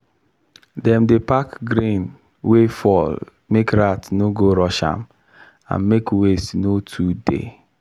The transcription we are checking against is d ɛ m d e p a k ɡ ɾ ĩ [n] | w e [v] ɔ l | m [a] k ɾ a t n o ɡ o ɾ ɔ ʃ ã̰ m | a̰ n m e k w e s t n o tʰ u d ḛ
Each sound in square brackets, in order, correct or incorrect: correct, incorrect: f, incorrect: e

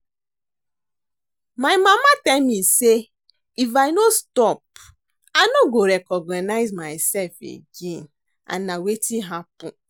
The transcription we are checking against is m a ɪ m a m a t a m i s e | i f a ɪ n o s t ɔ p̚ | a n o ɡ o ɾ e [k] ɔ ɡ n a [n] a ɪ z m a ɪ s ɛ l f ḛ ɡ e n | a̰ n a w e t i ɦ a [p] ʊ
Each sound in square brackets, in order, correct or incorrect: correct, correct, correct

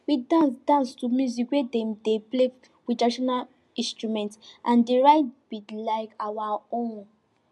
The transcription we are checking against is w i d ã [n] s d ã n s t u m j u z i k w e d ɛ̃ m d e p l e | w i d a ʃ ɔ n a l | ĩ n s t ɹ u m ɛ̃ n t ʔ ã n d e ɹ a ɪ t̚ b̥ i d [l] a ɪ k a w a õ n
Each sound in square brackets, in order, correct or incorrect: correct, correct

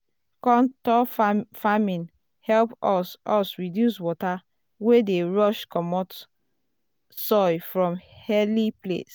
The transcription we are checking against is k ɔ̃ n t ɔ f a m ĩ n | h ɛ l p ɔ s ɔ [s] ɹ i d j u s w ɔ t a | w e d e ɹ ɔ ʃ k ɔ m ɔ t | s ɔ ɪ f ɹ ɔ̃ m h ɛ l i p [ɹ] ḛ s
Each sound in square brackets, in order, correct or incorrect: correct, incorrect: l

